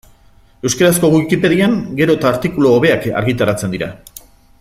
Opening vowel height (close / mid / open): mid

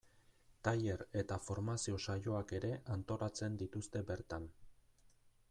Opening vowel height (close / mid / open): open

